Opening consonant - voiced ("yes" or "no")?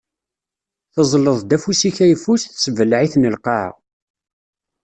no